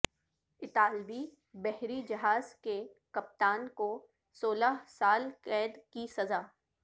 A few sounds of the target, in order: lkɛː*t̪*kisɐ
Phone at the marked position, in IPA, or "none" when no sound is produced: d̪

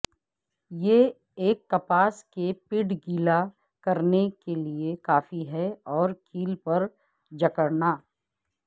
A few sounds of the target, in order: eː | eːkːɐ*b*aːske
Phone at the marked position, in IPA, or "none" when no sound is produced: p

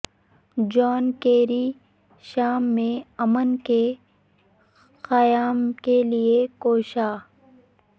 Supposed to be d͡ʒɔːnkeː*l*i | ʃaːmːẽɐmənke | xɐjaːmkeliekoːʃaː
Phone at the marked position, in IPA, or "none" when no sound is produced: ɾ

